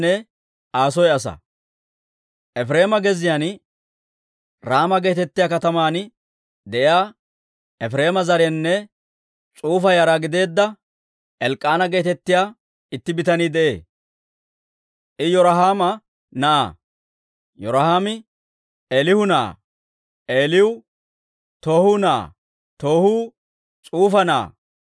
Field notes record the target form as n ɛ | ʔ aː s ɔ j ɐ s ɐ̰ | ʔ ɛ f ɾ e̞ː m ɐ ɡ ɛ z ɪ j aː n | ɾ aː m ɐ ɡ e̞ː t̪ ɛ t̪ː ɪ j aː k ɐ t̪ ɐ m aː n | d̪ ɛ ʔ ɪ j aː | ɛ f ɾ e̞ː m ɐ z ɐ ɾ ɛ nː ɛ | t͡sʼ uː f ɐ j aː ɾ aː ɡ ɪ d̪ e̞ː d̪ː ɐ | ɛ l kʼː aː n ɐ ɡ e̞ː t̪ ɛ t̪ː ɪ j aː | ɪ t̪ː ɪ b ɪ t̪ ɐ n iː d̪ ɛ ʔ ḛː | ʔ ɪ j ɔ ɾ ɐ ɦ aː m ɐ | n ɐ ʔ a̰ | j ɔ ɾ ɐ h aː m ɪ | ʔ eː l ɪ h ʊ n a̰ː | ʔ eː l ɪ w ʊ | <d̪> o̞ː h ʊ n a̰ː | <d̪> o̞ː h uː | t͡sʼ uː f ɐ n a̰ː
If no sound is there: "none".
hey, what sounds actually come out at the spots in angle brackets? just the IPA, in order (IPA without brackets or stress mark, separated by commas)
t̪, t̪